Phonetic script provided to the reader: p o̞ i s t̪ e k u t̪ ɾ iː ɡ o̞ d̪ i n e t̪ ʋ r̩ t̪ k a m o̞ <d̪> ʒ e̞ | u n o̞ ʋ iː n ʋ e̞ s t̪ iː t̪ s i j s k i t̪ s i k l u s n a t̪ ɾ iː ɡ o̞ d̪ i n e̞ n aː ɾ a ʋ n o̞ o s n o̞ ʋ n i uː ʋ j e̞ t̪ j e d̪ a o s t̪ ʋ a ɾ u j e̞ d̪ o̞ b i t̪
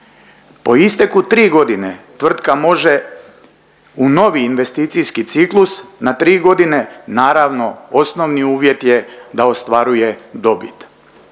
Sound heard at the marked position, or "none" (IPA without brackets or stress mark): none